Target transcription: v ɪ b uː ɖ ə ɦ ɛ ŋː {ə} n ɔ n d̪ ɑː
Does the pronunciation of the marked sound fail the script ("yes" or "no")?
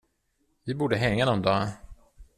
yes